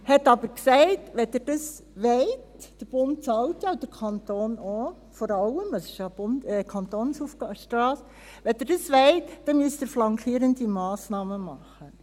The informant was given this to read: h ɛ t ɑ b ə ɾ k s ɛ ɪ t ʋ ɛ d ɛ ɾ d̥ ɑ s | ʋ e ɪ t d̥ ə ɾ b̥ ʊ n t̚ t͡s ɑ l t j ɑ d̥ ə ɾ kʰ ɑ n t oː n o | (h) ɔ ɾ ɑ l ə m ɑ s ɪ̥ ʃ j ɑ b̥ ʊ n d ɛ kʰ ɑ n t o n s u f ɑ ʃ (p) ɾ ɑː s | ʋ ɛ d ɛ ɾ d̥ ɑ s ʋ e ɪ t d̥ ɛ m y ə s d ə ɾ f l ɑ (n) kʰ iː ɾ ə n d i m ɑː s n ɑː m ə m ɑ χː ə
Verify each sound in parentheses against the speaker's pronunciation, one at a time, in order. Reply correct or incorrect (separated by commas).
incorrect, incorrect, incorrect